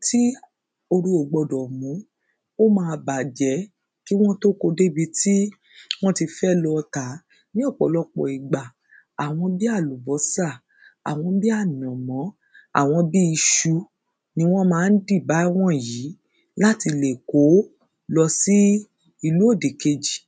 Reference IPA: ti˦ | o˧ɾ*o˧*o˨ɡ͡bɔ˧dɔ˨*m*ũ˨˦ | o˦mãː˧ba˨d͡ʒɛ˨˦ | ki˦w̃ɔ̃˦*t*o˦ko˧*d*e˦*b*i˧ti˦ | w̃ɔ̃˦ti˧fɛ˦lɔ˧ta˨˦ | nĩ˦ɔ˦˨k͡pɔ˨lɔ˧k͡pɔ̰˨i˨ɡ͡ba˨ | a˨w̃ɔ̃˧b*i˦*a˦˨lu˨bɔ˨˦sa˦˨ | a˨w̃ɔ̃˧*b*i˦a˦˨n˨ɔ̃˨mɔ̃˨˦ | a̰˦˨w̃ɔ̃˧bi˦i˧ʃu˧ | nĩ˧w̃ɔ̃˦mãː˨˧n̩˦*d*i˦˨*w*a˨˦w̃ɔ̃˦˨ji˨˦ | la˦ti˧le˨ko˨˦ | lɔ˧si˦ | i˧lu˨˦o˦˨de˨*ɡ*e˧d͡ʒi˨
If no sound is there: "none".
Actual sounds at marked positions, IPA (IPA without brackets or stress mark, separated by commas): u˧, m, t, d, b, i˦, b, d, b, k